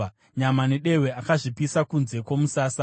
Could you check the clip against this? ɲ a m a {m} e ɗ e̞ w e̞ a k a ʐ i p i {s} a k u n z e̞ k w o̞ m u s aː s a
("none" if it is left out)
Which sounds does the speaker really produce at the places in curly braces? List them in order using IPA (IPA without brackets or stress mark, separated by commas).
n, s